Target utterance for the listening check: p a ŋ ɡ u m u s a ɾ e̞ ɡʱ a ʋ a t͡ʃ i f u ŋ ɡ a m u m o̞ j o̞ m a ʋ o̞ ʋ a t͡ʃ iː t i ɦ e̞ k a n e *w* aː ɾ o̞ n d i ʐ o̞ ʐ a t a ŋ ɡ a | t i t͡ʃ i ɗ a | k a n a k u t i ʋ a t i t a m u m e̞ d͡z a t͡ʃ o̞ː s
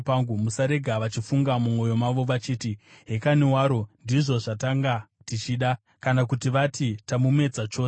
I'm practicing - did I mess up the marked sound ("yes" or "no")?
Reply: no